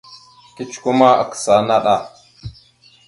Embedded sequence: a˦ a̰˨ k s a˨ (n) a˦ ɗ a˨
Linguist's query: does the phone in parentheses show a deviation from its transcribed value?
no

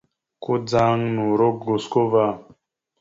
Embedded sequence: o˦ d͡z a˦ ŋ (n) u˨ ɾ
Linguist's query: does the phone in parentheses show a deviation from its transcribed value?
no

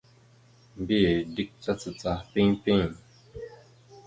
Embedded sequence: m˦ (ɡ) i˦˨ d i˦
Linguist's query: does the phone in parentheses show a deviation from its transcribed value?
yes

